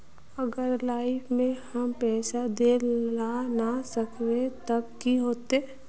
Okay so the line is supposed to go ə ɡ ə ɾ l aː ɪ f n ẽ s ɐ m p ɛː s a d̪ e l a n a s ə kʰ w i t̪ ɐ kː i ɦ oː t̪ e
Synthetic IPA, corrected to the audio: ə ɡ ə ɾ l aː ɪ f m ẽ h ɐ m p ɛː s a d̪ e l a n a s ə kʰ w e t̪ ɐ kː i ɦ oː t̪ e

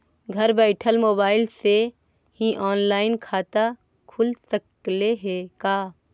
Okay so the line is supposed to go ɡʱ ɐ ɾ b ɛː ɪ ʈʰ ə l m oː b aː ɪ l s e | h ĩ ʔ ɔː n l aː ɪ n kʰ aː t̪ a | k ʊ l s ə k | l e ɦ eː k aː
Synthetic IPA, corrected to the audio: ɡʱ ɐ ɾ b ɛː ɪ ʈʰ ə l m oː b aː ɪ l s e | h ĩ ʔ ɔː n l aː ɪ n kʰ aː t̪ a | kʰ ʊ l s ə k | l e ɦ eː k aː

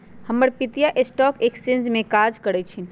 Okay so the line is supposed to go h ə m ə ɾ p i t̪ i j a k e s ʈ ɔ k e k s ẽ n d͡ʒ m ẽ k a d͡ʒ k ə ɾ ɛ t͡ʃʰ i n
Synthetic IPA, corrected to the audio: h ə m ə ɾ p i t̪ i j a ʔ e s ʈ ɔ k e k s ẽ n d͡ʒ m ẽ k a d͡ʒ k ə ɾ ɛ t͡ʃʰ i n

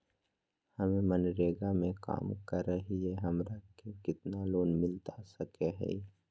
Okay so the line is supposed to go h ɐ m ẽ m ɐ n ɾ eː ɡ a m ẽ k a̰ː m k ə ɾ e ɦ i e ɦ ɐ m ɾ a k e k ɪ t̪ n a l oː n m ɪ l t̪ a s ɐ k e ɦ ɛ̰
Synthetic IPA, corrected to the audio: h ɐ m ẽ m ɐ n ɾ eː ɡ a m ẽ k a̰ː m k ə ɾ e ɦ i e ɦ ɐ m ɾ a k e k ɪ t̪ n a l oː n m ɪ l t̪ a s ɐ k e ɦ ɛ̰

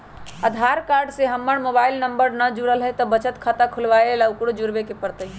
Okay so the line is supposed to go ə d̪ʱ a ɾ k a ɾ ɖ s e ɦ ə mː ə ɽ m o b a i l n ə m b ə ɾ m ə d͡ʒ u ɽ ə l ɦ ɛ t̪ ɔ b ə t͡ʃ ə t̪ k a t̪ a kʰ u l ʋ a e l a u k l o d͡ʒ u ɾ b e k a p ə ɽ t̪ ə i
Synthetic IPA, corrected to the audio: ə d̪ʱ a ɾ k a ɾ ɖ s e ɦ ə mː ə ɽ m o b a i l n ə m b ə ɾ n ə d͡ʒ u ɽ ə l ɦ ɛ t̪ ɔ b ə t͡ʃ ə t̪ kʰ a t̪ a kʰ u l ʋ a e l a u k ɽ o d͡ʒ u ɾ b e k e p ə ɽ t̪ ə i

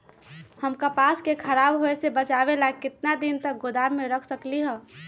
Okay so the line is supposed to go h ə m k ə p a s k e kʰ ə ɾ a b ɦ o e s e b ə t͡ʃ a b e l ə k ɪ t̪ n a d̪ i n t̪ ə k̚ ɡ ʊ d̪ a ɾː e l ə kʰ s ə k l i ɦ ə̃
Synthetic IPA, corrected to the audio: h ə m k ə p a s k e kʰ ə ɾ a b ɦ o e s e b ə t͡ʃ a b e l a k ɪ t̪ n a d̪ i n t̪ ə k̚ ɡ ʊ d̪ a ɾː e ɾ ə kʰ s ə k l i ɦ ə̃

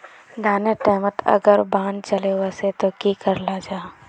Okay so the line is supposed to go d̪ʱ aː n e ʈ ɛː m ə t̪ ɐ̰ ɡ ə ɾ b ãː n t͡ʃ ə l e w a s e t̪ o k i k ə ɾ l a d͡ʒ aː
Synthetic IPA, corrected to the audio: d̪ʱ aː n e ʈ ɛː m ə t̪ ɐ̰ ɡ ə ɾ b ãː n t͡ʃ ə l e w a s e t̪ o k i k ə ɾ l a d͡ʒ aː

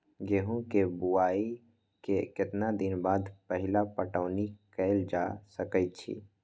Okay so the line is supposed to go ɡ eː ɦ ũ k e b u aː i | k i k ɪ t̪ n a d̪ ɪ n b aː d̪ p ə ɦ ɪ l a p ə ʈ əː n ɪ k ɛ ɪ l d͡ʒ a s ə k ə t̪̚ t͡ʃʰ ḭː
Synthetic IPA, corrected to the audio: ɡ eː ɦ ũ k e b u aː i | k e k ɪ t̪ n a d̪ ɪ n b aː d̪ p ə ɦ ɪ l a p ə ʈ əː n i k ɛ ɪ l d͡ʒ a s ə k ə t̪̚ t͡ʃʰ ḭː

